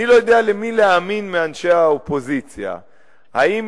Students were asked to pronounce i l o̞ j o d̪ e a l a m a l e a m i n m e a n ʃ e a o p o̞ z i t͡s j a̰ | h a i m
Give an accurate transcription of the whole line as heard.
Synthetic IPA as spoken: i l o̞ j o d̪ e a l e m i l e a m i n m e a n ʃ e a o p o̞ z i t͡s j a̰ | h a i m